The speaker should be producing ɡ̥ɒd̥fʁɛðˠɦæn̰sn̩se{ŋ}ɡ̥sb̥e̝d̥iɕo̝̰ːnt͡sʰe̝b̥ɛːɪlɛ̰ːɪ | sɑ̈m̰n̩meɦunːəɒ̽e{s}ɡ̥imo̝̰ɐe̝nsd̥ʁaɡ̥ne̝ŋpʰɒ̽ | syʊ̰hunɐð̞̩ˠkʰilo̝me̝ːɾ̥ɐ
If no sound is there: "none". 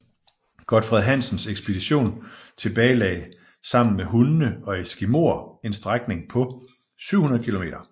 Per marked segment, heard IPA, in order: none, s

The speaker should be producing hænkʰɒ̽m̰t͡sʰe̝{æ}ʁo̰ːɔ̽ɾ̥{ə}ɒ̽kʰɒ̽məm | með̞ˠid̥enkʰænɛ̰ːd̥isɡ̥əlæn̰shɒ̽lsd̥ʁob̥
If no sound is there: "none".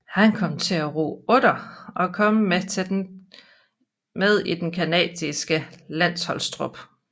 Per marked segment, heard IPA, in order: æ, ɐ

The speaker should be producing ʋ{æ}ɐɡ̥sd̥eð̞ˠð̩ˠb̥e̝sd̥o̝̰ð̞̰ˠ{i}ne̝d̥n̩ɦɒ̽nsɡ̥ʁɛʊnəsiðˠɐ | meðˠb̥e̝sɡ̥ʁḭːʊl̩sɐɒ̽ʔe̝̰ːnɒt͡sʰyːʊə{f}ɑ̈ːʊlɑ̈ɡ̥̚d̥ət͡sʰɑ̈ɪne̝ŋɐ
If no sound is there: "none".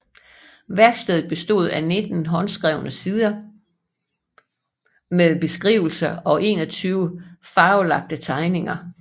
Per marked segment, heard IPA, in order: æ, æ, f

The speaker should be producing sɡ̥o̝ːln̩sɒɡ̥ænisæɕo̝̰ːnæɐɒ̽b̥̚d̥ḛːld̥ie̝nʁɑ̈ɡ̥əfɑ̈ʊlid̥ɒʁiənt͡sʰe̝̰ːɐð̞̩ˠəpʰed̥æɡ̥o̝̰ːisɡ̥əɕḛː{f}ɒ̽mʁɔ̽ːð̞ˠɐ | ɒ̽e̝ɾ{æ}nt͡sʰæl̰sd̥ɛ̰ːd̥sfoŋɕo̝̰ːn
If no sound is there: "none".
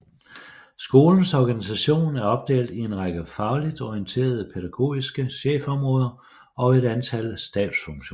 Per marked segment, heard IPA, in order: f, æ

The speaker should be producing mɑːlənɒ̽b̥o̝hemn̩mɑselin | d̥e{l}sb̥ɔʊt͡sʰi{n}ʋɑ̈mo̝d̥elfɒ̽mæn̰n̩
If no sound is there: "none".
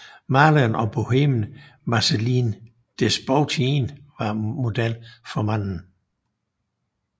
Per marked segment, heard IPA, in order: none, n

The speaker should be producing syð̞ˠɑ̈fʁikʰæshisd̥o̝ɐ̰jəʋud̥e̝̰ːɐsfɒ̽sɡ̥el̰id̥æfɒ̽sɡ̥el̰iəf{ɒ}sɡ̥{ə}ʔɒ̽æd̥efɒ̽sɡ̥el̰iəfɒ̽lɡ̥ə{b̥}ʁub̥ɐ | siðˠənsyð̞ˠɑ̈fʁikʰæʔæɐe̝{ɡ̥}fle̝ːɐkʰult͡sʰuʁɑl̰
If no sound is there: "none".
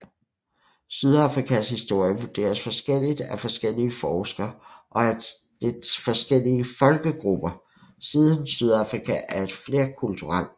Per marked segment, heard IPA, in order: ɒː, ɐ, ɡ̥, d̥

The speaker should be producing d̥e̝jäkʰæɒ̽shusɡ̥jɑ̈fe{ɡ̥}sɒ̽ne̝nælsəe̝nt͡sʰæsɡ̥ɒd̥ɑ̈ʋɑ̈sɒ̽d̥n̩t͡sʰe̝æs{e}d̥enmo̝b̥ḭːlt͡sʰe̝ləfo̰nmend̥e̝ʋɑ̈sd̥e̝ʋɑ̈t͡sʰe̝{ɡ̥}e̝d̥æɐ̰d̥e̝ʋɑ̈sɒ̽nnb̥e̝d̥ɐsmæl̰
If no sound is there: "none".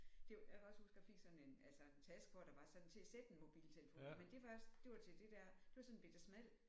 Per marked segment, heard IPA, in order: ɡ̥, e, d̥

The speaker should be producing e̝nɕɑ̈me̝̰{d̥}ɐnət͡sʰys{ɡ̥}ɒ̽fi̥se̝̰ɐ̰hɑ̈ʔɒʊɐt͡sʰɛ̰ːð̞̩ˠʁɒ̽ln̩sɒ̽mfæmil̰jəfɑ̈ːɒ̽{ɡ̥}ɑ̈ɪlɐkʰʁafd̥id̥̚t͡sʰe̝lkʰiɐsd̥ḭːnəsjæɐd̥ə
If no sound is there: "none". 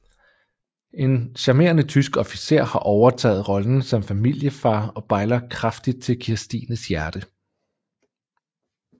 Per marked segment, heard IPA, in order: none, ɡ̥, b̥

